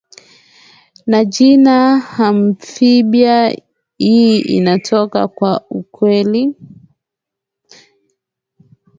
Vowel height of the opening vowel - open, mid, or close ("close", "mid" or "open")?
open